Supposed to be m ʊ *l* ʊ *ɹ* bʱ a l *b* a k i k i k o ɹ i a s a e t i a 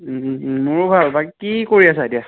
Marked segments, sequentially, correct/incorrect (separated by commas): incorrect, incorrect, correct